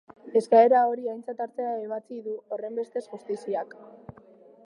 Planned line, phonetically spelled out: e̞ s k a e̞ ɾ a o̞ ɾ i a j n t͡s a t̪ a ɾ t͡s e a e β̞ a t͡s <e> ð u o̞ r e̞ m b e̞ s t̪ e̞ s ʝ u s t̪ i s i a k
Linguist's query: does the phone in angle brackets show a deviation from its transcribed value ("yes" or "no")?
yes